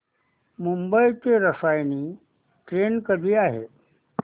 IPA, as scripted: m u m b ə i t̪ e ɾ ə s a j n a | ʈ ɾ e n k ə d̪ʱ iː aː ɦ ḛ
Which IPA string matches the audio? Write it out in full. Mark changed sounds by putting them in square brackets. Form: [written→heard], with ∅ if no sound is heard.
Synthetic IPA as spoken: m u m b ə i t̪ e ɾ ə s a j n [a→i] | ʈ ɾ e n k ə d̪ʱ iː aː ɦ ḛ